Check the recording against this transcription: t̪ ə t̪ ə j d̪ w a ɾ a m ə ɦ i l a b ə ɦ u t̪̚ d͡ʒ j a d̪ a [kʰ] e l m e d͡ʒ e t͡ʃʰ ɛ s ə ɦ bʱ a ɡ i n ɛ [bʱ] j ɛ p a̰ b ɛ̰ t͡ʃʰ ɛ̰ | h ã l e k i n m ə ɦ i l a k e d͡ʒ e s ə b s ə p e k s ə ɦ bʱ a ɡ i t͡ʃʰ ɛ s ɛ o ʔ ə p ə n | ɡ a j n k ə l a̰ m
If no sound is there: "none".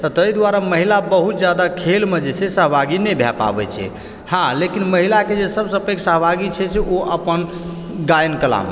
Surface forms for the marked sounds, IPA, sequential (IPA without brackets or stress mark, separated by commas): kʰ, bʱ